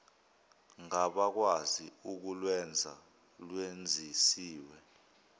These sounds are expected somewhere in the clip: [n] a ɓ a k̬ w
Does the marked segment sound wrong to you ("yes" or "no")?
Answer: yes